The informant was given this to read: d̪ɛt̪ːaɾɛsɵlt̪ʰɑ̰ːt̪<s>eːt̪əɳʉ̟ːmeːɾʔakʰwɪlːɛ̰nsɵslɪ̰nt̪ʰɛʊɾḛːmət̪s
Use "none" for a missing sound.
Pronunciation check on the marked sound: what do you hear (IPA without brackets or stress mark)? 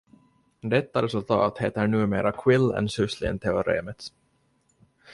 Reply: h